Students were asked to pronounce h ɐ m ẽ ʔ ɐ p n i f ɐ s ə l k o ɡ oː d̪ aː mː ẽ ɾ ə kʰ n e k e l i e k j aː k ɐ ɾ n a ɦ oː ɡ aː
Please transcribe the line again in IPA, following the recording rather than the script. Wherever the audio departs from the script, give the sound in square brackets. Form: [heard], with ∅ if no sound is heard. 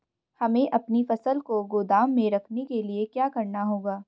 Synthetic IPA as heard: h ɐ m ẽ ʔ ɐ p n i f ɐ s ə l k o ɡ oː d̪ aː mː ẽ ɾ [ɐ] kʰ n e k e l i e k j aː k ɐ ɾ n a ɦ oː ɡ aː